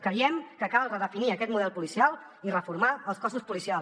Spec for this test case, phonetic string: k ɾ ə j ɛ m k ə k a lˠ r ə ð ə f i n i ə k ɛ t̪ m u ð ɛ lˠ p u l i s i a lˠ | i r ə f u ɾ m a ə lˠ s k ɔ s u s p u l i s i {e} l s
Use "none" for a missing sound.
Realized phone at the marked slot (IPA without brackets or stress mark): a